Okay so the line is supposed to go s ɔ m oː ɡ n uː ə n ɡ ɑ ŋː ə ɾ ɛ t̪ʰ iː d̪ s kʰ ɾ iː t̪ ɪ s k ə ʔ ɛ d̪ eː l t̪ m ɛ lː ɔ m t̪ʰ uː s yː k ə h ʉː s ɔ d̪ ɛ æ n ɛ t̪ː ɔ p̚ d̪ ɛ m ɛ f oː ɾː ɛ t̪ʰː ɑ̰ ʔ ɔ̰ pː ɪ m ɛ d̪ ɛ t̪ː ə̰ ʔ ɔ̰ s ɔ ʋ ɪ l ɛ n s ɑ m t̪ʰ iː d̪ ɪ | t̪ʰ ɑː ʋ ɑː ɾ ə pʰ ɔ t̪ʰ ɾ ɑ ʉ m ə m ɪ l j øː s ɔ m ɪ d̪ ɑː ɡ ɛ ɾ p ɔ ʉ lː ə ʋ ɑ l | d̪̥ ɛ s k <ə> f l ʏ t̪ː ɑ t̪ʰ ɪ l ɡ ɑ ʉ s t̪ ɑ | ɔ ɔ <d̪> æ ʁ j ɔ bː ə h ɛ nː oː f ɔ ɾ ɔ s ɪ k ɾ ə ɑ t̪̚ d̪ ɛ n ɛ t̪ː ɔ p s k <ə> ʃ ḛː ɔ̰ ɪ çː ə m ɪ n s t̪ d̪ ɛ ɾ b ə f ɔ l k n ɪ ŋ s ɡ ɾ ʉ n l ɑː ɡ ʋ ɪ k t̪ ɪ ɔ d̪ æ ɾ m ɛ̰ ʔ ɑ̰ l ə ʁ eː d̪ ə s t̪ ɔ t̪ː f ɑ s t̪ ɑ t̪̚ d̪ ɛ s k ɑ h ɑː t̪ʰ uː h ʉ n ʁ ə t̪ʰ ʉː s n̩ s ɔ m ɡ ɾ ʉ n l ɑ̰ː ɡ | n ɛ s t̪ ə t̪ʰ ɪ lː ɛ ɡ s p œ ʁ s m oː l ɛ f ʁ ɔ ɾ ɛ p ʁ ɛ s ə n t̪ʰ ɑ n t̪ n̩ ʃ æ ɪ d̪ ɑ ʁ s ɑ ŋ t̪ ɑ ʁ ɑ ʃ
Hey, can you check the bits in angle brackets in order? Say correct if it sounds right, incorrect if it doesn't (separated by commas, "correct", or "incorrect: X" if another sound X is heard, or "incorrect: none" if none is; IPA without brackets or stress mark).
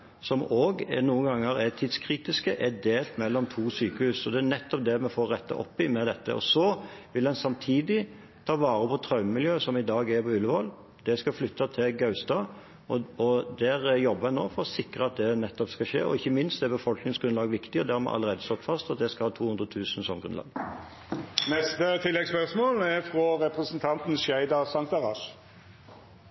incorrect: ɑ, correct, incorrect: ɑ